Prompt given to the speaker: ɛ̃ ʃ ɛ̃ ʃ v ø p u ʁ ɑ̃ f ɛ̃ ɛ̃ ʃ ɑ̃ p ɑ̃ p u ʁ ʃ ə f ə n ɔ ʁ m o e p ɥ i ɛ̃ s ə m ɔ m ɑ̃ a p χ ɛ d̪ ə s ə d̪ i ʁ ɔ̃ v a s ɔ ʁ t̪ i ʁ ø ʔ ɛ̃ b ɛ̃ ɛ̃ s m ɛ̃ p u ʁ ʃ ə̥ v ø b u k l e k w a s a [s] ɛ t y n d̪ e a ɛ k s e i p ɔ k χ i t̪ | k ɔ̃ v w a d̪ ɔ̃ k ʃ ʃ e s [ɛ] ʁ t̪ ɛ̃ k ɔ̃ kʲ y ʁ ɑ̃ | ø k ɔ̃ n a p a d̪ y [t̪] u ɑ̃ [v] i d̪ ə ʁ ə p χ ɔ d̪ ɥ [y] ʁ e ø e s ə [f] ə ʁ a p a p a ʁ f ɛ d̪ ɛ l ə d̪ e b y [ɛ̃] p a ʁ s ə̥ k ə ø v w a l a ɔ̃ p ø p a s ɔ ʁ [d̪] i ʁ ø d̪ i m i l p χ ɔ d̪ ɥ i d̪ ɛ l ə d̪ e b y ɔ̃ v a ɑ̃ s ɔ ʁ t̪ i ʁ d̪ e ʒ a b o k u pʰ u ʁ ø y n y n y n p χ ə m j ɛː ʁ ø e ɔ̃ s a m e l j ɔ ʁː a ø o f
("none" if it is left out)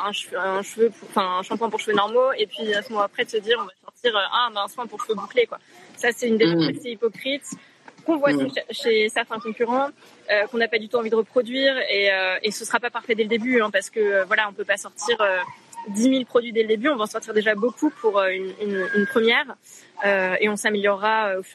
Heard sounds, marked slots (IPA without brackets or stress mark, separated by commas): s, ɛ, t̪, v, i, s, ɛ̃, t̪